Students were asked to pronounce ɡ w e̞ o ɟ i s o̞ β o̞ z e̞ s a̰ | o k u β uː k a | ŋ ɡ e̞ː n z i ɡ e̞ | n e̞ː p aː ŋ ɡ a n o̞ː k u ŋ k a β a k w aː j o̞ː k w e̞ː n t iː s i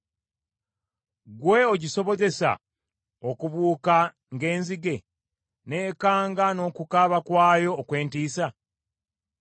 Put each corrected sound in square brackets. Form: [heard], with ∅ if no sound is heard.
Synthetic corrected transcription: ɡ w e̞ o ɟ i s o̞ β o̞ z e̞ s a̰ | o k u β uː k a | ŋ ɡ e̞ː n z i ɡ e̞ | n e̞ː [k] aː ŋ ɡ a n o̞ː k u [∅] k a β a k w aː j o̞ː k w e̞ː n t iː s [a]